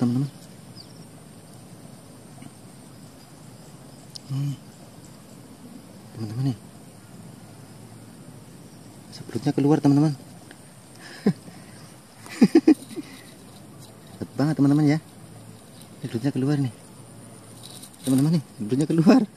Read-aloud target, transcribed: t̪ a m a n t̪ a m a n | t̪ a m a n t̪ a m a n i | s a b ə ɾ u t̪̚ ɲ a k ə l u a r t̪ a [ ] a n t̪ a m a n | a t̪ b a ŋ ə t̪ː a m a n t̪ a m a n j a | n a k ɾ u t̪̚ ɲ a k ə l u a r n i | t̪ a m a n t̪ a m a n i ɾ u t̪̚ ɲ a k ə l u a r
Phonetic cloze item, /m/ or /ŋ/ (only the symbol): m